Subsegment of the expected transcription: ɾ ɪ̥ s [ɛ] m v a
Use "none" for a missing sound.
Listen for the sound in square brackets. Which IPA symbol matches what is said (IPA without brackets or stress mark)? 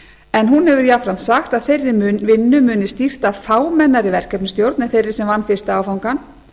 ɛ